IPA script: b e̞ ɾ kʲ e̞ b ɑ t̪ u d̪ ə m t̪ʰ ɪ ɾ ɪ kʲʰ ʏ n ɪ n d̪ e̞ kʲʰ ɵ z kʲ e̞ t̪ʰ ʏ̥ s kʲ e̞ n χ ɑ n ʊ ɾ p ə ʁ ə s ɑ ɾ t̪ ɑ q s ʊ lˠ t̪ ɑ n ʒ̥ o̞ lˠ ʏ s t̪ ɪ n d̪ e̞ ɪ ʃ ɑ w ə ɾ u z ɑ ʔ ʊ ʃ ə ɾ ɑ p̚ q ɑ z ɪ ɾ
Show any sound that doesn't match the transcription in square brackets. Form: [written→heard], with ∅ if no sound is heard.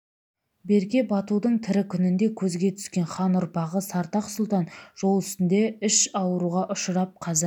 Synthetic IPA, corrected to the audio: b e̞ ɾ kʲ e̞ b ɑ t̪ u d̪ ə [m→ɴ] t̪ʰ ɪ ɾ ɪ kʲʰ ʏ n ɪ n d̪ e̞ kʲʰ ɵ z [kʲ→ɡʲ] e̞ t̪ʰ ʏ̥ s kʲ e̞ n χ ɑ n ʊ ɾ p [ə→ɑ] ʁ ə s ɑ ɾ t̪ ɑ q s ʊ lˠ t̪ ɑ n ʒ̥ o̞ lˠ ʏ s t̪ ɪ n d̪ e̞ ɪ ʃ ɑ w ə ɾ u [z→ʁ] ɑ ʔ ʊ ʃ ə ɾ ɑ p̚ [q→qʰ] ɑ z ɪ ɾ